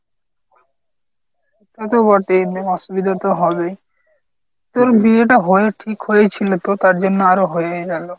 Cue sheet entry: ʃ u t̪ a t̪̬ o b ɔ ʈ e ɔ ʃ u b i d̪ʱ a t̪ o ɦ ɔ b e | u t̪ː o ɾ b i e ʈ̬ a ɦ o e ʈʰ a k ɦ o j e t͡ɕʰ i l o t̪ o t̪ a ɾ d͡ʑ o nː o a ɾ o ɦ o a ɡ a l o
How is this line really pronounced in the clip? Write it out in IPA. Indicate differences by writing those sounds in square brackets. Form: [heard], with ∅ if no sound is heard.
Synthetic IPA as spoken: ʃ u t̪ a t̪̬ o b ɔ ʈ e ɔ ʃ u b i d̪ʱ a t̪ o ɦ ɔ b e | u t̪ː o ɾ b i e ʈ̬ a ɦ o e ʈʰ [i] k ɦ o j e t͡ɕʰ i l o t̪ o t̪ a ɾ d͡ʑ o nː o a ɾ o ɦ o [e] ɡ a l o